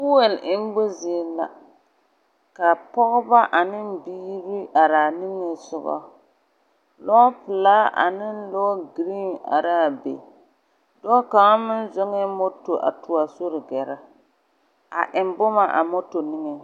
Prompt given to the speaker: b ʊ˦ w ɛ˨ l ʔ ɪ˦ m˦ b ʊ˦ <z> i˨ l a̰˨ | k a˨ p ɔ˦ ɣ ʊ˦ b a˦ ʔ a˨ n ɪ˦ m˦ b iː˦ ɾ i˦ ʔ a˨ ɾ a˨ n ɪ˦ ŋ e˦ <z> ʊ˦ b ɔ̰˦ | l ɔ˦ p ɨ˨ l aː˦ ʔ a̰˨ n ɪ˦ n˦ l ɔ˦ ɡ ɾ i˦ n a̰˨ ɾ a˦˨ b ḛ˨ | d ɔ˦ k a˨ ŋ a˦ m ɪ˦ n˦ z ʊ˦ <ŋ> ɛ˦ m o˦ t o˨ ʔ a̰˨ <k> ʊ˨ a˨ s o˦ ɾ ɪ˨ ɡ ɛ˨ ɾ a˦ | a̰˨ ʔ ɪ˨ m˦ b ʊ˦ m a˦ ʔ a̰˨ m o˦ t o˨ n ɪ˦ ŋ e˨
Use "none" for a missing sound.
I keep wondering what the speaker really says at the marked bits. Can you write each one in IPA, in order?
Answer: z, s, ŋ, t

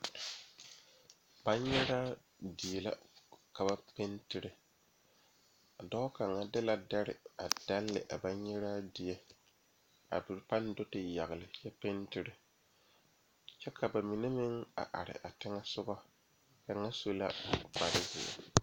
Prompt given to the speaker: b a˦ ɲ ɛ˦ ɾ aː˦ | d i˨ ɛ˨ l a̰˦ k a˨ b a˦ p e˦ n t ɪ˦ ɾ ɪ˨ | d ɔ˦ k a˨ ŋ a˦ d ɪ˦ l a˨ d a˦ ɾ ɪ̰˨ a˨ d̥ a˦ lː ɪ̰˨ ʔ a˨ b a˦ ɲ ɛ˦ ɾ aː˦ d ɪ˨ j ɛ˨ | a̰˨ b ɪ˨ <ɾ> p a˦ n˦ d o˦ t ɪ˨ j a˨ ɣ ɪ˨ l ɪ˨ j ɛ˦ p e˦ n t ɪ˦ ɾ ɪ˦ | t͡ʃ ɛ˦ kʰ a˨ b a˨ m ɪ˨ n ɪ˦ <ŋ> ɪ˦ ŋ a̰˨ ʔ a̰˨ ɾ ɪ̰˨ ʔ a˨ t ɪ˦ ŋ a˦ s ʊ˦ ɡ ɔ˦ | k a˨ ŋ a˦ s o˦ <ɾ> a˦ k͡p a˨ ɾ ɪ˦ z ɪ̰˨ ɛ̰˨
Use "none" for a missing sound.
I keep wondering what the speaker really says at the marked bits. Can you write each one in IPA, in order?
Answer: ɾ, m, l

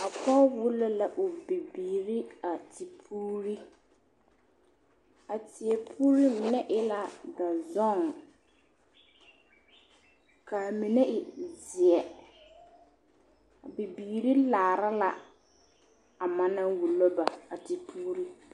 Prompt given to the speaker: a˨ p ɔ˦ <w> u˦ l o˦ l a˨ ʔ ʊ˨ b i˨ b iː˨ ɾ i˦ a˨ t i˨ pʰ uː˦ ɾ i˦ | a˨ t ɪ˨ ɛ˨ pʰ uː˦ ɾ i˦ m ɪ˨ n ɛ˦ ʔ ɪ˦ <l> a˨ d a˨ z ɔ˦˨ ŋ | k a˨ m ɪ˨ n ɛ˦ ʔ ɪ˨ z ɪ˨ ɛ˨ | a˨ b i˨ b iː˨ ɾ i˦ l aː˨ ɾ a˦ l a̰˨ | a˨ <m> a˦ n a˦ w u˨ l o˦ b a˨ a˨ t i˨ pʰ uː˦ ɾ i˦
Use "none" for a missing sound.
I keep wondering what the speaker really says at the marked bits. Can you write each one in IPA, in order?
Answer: w, l, m

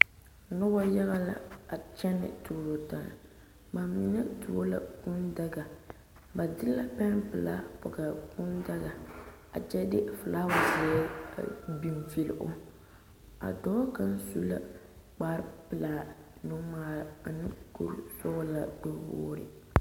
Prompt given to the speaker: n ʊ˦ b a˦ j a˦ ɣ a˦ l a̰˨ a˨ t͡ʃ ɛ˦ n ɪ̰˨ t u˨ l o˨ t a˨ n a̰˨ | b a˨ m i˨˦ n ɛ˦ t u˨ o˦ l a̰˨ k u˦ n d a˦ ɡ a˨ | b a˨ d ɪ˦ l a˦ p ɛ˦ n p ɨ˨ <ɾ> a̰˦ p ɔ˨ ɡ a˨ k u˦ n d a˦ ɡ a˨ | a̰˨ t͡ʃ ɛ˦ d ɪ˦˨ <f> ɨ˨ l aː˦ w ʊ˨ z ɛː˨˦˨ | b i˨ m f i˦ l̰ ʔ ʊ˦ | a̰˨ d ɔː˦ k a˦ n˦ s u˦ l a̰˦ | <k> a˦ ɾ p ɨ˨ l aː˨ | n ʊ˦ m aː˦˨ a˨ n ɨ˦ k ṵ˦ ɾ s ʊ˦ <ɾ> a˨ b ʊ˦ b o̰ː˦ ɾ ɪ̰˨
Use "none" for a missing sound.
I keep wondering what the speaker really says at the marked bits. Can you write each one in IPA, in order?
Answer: l, f, k͡p, l

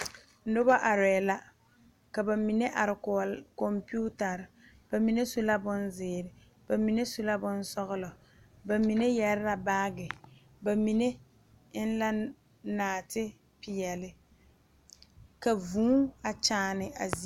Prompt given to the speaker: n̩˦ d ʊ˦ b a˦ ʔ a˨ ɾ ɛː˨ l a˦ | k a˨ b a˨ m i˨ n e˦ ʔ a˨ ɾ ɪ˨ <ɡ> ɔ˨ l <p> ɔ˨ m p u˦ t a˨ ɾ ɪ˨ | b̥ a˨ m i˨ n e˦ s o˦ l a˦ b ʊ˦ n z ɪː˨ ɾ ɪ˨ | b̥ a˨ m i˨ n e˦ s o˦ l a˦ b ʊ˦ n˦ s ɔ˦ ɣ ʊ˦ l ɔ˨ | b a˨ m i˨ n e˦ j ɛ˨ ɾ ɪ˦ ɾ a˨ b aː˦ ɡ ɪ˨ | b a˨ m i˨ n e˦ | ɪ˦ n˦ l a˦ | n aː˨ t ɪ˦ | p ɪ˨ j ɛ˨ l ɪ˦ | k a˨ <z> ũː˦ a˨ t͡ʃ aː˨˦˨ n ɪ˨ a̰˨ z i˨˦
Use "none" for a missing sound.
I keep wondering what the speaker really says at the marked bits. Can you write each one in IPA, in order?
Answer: k, k, v

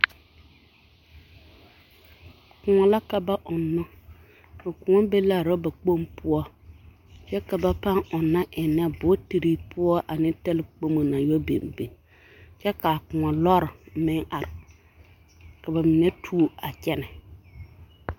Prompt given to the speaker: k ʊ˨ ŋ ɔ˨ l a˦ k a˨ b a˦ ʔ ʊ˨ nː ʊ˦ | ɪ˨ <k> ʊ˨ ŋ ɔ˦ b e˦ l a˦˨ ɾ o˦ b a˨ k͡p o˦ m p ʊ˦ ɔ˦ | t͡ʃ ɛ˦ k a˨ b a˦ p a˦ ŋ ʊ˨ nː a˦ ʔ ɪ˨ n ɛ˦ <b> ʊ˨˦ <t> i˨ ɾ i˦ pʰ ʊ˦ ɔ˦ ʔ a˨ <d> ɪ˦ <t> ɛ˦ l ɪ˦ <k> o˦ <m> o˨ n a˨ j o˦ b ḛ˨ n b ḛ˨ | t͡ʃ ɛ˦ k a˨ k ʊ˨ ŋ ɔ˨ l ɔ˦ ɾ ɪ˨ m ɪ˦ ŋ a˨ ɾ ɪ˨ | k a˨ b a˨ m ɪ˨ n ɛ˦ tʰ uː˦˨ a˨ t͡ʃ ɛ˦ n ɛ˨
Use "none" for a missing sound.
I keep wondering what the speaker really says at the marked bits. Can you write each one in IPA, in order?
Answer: k, b, t, n, t, k͡p, m

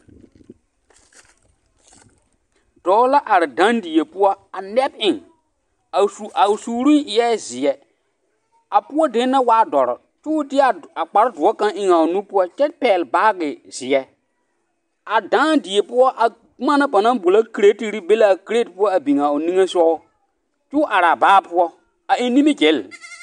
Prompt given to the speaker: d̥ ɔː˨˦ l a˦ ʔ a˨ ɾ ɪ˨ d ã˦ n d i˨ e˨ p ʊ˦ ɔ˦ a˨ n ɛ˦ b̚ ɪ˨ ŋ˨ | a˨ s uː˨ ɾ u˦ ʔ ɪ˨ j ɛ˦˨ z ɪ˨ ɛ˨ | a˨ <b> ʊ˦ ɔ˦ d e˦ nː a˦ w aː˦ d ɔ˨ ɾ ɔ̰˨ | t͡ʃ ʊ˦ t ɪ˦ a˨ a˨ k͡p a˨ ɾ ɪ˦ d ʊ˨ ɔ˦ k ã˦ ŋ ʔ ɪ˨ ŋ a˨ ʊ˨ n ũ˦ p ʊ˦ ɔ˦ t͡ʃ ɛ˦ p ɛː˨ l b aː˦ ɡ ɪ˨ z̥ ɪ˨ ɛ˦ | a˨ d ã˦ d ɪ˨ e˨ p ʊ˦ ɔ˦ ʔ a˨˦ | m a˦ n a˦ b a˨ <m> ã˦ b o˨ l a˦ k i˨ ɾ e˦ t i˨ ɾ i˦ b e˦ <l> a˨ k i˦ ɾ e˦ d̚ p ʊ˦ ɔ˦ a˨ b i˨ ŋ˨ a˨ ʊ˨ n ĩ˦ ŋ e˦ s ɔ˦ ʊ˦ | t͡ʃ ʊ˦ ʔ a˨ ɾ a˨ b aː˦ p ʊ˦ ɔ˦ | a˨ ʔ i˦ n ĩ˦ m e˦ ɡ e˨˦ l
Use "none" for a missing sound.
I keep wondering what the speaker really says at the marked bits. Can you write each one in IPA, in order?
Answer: p, n, l

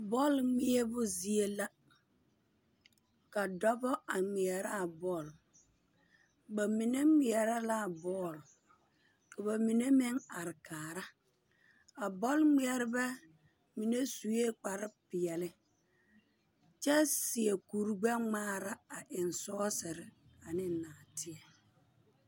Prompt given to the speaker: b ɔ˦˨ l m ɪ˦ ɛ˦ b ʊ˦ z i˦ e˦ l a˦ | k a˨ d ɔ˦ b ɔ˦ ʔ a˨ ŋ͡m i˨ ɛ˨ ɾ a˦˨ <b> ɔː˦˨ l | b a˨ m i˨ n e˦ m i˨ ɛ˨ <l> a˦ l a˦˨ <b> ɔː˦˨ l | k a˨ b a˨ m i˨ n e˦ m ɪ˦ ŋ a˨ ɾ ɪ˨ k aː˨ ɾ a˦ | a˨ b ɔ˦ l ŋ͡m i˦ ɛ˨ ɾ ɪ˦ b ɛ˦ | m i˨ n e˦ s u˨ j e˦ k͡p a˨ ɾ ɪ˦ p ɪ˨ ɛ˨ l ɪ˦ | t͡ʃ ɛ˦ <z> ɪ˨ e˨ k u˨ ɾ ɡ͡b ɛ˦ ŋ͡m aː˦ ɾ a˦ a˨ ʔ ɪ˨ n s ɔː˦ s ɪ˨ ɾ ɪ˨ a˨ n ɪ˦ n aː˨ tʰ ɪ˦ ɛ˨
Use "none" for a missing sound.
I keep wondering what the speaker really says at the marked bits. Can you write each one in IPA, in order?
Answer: b, ɾ, b, s

